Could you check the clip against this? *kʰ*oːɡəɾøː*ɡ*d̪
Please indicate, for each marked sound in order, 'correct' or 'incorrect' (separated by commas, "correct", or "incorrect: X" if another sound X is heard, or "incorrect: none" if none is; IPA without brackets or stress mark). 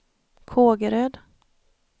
correct, incorrect: none